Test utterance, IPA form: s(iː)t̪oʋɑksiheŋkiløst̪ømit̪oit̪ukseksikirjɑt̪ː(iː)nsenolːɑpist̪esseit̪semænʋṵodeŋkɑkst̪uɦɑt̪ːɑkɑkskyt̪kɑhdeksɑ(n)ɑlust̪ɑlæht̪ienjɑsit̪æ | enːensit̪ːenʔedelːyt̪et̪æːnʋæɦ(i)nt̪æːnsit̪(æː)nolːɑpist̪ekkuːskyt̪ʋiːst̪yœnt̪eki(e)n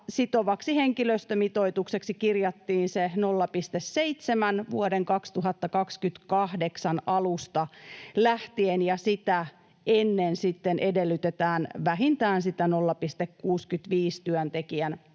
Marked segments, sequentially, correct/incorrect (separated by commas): incorrect, correct, correct, correct, incorrect, incorrect